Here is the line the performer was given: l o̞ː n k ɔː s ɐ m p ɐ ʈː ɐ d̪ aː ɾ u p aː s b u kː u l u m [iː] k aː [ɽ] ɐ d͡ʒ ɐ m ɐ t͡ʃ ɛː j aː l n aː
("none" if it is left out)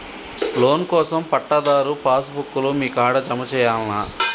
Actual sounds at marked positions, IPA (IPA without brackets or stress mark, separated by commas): iː, ɽ